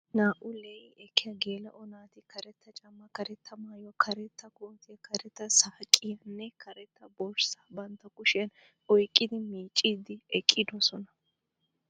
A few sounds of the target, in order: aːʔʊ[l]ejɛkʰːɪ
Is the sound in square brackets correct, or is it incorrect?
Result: correct